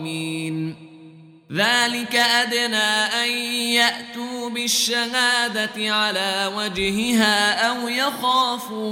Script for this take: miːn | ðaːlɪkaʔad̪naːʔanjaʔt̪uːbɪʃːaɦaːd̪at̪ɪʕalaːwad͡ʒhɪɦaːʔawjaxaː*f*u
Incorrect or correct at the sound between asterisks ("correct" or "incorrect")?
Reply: correct